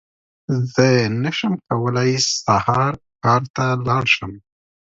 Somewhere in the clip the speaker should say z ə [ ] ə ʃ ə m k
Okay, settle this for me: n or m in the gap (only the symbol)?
n